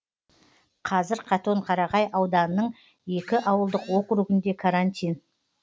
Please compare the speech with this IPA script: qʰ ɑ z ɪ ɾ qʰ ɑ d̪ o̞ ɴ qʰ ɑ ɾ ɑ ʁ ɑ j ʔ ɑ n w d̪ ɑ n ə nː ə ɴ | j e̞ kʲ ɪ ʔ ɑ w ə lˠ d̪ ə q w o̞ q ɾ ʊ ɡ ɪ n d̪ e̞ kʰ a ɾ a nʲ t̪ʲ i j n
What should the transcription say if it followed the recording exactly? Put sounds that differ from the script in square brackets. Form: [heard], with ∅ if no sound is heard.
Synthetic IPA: qʰ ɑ z ɪ ɾ qʰ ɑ [t̪] o̞ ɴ qʰ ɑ ɾ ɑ ʁ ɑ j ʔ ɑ [∅] w d̪ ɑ n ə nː ə ɴ | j e̞ kʲ ɪ ʔ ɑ w ə lˠ d̪ ə q w o̞ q ɾ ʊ ɡ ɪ n d̪ e̞ kʰ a ɾ a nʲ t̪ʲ i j n